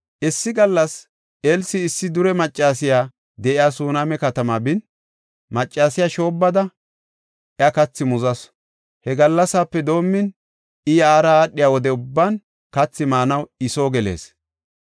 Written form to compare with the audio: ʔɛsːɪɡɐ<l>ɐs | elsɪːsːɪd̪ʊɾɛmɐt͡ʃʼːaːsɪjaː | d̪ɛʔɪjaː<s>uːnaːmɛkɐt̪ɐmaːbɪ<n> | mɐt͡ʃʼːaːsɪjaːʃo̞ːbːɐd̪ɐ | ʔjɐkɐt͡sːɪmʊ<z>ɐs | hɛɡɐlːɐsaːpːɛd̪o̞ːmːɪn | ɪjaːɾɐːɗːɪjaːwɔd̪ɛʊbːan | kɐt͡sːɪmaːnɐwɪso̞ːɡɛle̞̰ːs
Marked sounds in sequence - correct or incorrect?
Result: incorrect: lː, correct, correct, correct

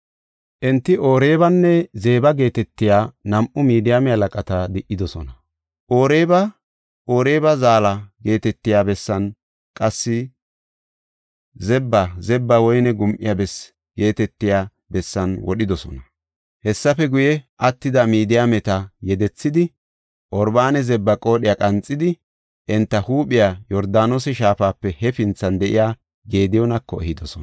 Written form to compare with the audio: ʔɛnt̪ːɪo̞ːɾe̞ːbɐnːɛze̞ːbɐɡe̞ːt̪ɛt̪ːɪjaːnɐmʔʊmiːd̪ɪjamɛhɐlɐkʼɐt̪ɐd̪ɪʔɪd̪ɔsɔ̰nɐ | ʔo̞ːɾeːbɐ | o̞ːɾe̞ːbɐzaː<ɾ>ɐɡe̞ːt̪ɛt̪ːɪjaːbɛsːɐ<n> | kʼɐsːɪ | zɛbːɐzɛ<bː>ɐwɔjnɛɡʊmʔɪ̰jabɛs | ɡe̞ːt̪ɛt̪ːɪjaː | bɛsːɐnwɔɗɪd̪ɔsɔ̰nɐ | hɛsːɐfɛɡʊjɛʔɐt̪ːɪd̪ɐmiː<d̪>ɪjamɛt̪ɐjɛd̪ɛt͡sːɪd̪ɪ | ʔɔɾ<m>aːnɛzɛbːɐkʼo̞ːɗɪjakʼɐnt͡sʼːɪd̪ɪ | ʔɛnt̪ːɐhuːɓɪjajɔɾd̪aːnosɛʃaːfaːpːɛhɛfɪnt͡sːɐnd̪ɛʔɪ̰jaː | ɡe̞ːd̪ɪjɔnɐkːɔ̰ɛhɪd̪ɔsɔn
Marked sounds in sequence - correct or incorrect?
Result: incorrect: l, correct, correct, correct, incorrect: b

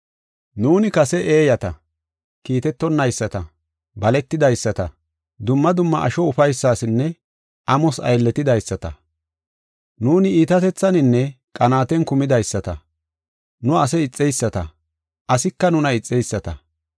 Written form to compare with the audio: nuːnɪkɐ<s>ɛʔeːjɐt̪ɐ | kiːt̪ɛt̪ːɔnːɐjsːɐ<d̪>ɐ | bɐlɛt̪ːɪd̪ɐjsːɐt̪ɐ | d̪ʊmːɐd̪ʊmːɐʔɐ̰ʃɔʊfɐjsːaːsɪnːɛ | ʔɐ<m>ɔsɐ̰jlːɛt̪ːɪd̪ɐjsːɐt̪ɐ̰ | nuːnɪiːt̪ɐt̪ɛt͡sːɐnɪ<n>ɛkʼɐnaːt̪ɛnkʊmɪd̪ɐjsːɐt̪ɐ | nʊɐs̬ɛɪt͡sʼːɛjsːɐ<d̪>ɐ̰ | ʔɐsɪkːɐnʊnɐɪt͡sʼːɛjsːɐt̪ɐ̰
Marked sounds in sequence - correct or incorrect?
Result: correct, incorrect: t̪, correct, incorrect: nː, incorrect: t̪

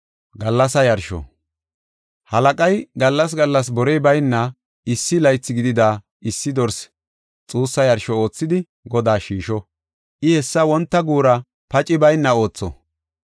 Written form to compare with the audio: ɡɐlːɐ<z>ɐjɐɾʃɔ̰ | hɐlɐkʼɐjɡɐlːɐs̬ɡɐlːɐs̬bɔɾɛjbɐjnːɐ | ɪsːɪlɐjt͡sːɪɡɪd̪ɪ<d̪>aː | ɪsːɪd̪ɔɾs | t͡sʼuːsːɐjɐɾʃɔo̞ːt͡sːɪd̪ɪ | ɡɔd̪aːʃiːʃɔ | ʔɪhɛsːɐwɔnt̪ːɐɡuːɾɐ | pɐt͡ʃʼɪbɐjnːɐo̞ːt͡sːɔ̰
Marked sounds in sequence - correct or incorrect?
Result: incorrect: s, correct

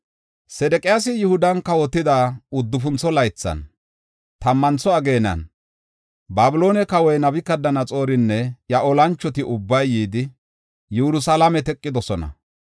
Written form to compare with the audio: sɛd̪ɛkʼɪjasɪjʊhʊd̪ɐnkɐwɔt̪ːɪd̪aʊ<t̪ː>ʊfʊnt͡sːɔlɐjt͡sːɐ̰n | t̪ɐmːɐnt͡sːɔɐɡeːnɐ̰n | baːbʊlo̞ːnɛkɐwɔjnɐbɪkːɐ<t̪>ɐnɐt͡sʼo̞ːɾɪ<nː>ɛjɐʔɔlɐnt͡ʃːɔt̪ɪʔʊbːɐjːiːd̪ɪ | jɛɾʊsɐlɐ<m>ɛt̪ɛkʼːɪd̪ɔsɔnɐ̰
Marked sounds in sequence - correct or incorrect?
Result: incorrect: d̪ː, incorrect: d̪, correct, correct

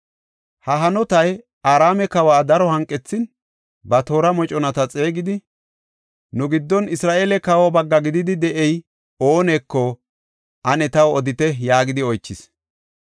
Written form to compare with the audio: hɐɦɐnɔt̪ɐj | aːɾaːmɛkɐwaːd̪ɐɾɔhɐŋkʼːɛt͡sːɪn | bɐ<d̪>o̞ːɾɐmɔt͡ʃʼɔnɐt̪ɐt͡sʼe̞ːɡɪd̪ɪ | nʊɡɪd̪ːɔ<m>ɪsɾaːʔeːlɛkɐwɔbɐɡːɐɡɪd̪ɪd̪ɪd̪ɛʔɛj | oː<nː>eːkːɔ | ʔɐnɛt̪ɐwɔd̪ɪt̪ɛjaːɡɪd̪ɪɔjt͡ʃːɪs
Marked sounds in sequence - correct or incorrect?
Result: incorrect: t̪, incorrect: n, incorrect: n

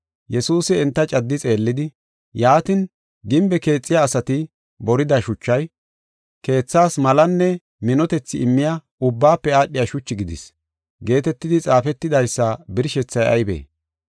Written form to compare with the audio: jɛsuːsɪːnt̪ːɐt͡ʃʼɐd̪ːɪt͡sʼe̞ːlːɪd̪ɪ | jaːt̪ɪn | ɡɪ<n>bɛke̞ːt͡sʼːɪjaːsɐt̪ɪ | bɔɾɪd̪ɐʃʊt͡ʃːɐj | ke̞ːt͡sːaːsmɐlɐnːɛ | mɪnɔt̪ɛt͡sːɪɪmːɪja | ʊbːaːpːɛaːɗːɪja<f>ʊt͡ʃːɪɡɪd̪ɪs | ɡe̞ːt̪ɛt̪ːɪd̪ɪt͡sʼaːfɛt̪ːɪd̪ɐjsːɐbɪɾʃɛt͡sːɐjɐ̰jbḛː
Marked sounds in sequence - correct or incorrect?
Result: incorrect: m, incorrect: ʃ

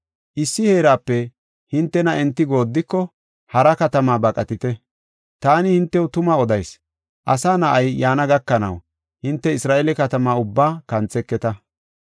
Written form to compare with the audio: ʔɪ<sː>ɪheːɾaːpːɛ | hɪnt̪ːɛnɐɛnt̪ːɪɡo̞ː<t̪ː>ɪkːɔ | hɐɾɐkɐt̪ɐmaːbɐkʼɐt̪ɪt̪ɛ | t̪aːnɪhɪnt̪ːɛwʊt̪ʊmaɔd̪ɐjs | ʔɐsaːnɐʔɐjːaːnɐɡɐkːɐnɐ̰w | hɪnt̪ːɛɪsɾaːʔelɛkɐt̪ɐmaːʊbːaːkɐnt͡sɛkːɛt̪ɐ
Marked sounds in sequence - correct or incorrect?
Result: correct, incorrect: d̪ː

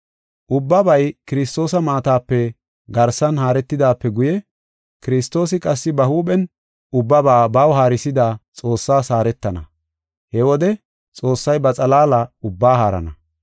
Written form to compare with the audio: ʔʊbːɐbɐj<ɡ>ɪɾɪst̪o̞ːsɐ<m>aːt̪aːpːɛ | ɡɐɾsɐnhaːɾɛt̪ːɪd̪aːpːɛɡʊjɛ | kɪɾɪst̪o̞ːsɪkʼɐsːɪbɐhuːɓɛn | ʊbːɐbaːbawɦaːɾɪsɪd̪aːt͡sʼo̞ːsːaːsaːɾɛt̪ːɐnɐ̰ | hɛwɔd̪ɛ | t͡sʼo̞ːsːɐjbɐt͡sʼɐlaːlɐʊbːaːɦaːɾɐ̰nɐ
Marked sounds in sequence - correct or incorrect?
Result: incorrect: k, correct

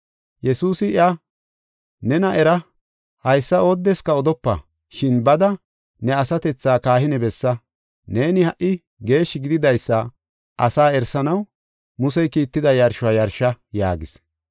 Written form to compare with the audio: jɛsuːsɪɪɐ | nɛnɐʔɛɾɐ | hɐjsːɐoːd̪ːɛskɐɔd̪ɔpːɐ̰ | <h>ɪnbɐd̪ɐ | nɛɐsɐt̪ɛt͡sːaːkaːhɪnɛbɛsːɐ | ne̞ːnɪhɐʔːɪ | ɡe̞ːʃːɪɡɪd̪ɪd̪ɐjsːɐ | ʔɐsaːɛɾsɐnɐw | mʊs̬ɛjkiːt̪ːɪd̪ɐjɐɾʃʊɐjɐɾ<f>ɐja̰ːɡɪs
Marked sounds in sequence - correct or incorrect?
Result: incorrect: ʃ, incorrect: ʃ

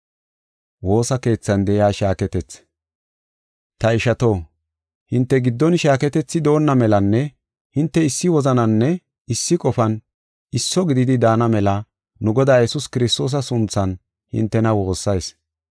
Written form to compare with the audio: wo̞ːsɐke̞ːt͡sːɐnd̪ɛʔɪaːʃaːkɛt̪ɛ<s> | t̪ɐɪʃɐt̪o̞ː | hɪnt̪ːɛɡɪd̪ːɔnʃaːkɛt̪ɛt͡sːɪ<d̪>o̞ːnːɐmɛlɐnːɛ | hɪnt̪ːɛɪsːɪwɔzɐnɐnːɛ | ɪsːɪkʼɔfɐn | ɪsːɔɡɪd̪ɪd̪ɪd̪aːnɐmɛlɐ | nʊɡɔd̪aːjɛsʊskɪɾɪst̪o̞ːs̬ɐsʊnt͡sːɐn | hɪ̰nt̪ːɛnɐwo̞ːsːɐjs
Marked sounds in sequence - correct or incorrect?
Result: incorrect: t͡s, correct

